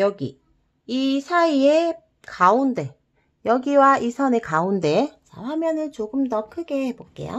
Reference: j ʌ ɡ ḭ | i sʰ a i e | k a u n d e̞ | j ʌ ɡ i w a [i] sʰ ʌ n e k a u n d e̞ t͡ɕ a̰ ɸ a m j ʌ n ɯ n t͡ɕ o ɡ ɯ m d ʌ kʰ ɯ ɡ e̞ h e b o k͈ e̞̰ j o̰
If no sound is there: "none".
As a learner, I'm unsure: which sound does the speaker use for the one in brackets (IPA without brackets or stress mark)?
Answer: i